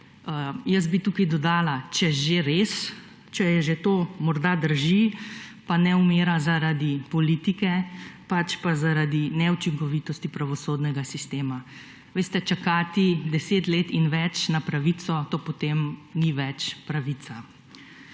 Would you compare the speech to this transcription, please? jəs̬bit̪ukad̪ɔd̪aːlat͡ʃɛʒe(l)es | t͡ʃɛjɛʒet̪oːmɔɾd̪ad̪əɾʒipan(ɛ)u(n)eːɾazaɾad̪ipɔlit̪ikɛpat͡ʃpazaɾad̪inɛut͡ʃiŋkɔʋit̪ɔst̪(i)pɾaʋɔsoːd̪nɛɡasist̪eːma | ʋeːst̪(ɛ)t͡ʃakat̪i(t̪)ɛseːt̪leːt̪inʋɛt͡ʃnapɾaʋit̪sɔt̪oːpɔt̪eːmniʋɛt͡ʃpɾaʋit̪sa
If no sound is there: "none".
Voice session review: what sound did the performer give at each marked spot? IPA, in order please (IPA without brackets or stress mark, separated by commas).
ɾ, ɛ, m, i, ɛ, d̪